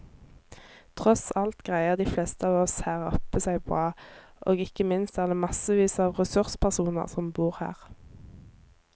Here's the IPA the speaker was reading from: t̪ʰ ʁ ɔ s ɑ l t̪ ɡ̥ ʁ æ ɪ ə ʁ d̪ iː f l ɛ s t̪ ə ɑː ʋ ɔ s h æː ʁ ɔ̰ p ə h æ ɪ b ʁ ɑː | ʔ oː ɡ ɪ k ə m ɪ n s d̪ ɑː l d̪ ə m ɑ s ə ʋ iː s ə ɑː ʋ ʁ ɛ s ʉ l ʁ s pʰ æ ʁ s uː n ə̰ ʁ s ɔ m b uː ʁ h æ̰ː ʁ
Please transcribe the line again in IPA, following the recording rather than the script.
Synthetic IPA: t̪ʰ ʁ ɔ s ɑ l t̪ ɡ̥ ʁ æ ɪ ə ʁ d̪ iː f l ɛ s t̪ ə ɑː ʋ ɔ s h æː ʁ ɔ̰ p ə s æ ɪ b ʁ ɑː | ʔ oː ɡ ɪ k ə m ɪ n s t̪ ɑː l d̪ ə m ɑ s ə ʋ iː s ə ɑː ʋ ʁ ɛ s ʉ ʁ s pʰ æ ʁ s uː n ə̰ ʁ s ɔ m b uː ʁ h æ̰ː ʁ